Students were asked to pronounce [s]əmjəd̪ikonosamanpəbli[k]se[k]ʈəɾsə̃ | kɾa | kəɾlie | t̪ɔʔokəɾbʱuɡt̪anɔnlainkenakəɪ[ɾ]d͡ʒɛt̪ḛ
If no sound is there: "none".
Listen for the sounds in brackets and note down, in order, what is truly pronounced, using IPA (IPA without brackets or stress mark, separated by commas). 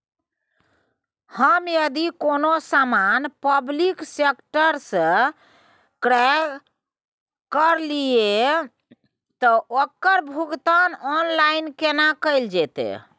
h, k, k, l